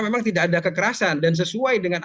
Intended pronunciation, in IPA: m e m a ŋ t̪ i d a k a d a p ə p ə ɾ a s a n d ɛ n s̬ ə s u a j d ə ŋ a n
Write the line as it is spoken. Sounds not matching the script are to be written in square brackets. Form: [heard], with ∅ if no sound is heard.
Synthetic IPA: m e m a ŋ t̪ i d a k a d a [k] ə [k] ə ɾ a s a n d [a] n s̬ ə s u a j d ə ŋ a n